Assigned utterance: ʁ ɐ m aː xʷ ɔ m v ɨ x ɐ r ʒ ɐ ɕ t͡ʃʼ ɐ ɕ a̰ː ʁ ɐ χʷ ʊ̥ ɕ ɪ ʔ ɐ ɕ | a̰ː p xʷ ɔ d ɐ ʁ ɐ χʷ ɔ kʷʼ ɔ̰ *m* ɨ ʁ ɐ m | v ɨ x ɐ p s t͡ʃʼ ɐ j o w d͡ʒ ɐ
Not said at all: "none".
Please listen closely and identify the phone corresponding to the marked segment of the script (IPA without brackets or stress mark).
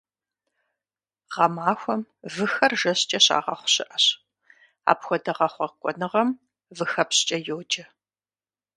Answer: n